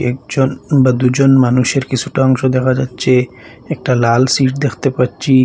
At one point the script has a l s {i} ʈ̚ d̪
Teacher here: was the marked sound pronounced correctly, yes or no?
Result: yes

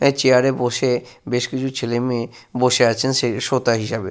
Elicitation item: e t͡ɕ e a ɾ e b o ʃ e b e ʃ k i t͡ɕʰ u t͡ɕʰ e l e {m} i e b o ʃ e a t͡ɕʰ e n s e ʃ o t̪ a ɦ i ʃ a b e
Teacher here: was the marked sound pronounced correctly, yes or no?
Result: yes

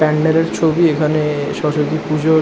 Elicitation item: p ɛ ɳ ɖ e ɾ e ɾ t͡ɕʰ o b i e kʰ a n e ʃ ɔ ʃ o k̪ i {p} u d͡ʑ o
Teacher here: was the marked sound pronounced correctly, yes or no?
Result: yes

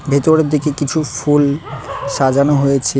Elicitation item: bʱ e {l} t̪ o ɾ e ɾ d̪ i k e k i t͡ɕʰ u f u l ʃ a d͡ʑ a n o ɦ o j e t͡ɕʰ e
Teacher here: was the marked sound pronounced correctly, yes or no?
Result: no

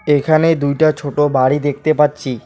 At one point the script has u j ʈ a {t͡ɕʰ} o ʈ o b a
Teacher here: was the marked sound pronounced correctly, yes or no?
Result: yes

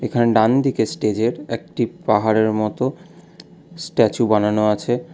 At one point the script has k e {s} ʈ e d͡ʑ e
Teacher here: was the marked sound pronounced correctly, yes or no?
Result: yes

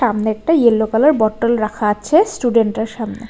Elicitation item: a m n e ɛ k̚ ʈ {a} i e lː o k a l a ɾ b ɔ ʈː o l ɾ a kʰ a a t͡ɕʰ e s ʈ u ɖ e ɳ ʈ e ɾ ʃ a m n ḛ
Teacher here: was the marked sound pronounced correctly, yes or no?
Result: yes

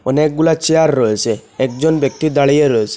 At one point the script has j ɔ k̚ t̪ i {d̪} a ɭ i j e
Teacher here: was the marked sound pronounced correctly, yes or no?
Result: yes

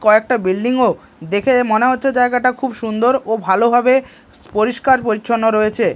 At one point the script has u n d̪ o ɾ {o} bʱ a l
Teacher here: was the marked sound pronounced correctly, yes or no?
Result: yes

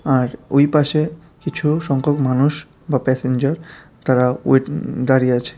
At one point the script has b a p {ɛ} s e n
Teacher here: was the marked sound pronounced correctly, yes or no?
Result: yes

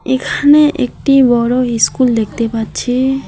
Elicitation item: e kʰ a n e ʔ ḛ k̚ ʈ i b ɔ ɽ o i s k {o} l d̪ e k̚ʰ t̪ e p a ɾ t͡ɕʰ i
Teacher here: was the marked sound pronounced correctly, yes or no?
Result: no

